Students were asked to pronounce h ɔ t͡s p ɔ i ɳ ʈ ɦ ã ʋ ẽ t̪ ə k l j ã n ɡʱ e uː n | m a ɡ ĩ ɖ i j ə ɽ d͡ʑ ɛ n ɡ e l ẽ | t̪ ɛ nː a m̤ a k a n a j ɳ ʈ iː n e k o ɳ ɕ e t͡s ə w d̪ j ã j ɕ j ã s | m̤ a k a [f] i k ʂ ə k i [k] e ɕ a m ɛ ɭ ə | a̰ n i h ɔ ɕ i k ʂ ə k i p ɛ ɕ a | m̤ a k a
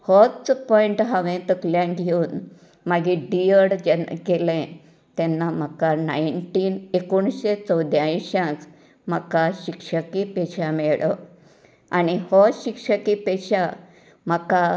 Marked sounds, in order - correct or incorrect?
incorrect: ɕ, incorrect: p

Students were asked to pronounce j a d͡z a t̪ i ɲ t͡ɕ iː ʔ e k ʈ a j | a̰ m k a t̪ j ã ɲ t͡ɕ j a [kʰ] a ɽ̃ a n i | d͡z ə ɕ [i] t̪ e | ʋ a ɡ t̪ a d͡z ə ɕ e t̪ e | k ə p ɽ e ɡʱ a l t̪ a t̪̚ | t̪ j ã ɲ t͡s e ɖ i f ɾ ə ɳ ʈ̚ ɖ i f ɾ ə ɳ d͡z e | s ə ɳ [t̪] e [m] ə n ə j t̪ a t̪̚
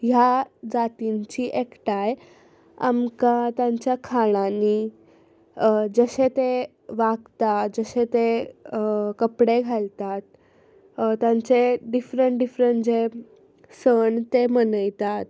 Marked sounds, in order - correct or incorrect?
correct, incorrect: e, correct, correct

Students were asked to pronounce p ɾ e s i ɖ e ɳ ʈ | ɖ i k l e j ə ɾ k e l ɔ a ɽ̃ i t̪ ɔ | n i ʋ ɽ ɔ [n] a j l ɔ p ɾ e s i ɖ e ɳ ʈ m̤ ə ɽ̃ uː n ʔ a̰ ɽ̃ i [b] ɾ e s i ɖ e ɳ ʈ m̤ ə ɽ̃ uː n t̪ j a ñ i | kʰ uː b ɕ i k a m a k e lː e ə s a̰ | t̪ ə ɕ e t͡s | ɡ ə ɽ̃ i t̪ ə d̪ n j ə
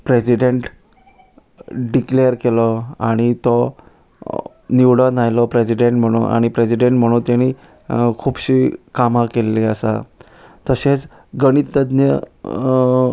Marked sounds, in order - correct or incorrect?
correct, incorrect: p

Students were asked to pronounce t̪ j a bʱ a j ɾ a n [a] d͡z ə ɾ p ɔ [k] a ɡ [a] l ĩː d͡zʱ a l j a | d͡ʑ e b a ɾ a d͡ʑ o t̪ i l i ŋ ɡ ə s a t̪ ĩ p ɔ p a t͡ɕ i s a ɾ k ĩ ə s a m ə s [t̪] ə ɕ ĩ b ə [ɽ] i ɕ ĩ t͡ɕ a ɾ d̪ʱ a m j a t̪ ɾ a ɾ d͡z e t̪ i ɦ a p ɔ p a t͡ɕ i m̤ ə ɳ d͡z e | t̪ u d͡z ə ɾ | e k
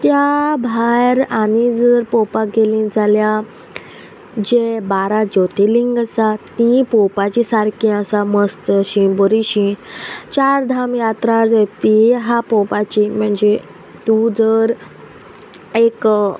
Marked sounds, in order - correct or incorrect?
incorrect: i, incorrect: p, incorrect: e, correct, incorrect: ɾ

